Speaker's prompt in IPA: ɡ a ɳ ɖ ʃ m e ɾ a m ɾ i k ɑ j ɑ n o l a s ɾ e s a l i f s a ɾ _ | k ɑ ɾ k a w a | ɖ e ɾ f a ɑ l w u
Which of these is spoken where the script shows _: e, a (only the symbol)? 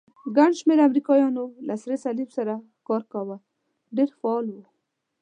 a